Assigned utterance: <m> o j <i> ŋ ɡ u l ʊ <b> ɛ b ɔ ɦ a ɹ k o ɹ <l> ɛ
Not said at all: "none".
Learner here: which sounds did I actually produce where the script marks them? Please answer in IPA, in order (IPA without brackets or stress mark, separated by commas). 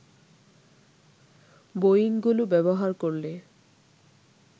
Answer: b, i, b, l